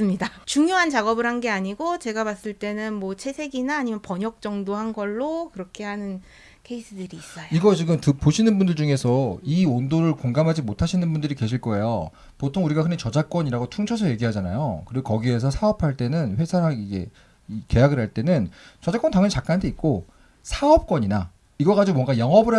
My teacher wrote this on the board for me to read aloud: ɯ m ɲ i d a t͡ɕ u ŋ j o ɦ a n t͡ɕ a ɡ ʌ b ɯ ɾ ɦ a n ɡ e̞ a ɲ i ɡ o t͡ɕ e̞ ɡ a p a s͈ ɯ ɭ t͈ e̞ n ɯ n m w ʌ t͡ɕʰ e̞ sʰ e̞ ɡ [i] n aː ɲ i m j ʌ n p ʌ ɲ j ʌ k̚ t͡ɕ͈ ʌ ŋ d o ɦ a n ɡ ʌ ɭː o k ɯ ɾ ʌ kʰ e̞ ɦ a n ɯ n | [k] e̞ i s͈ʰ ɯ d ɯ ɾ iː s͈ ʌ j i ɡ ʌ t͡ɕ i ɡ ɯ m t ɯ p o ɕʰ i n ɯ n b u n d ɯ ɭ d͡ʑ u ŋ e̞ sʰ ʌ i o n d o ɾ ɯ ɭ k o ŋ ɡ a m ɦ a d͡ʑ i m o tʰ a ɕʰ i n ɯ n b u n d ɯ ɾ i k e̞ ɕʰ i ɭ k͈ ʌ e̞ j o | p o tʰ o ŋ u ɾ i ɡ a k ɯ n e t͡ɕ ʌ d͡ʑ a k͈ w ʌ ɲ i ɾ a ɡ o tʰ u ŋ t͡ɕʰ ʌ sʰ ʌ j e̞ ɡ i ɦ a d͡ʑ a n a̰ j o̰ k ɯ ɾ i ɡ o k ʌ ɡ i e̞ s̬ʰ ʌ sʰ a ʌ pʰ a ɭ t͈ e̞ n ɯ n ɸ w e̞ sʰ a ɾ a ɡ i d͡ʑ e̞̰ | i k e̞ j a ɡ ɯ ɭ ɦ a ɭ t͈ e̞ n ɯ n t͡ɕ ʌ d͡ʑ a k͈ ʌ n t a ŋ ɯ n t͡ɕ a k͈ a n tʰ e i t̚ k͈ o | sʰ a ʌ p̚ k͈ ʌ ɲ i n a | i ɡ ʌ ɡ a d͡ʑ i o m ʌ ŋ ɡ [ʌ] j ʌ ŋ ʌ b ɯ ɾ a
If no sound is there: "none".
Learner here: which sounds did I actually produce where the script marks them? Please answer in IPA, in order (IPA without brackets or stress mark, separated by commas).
i, kʰ, a